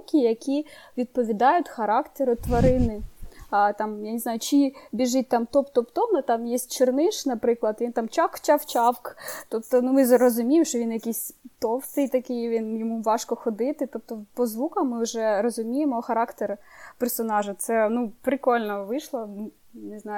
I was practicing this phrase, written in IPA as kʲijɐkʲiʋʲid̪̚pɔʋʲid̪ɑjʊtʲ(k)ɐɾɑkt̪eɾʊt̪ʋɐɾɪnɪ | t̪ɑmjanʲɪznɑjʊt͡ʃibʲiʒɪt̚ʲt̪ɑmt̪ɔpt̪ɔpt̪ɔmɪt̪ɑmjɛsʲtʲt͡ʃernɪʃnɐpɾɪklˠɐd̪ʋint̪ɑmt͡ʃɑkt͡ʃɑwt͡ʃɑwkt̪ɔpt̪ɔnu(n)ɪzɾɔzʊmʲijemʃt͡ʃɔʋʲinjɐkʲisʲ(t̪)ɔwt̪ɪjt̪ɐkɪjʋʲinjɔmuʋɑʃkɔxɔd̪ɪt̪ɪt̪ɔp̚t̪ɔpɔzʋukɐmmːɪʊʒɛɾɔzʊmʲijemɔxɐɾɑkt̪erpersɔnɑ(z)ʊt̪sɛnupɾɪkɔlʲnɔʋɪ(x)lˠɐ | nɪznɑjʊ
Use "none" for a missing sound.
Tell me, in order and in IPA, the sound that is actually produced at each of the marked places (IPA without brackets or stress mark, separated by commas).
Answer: x, m, t̪, ʒ, ʃ